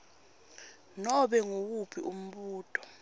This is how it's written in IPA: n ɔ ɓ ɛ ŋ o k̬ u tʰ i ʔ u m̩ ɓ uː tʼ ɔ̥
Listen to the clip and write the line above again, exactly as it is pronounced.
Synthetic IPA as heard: n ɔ ɓ ɛ ŋ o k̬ u pʰ i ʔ u m̩ ɓ uː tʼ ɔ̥